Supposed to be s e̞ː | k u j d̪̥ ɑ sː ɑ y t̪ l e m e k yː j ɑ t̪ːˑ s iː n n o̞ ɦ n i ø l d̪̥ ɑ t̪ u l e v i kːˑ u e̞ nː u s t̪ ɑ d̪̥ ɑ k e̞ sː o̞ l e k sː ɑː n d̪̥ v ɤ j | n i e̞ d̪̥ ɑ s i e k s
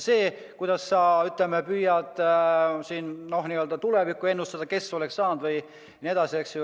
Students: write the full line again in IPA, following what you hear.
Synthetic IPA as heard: s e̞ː | k u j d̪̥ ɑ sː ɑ y t̪ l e m e p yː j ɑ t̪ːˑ s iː n n o̞ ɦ n i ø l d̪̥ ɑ t̪ u l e v i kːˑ u e̞ nː u s t̪ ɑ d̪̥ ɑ k e̞ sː o̞ l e k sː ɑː n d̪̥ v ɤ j | n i e̞ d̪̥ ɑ s i e k s